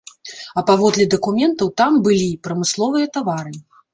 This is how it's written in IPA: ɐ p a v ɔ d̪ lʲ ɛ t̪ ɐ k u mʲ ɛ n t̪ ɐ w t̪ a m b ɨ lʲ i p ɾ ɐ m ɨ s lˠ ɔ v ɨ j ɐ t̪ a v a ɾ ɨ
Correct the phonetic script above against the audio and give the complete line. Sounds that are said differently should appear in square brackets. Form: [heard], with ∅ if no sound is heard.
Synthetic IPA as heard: ɐ p a v ɔ d̪ lʲ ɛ [d̪] ɐ k u mʲ ɛ n t̪ ɐ w t̪ a m b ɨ lʲ i p ɾ ɐ m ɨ s lˠ ɔ v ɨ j ɐ t̪ a v a ɾ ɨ